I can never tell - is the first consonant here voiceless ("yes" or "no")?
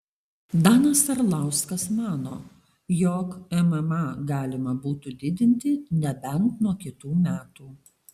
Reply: no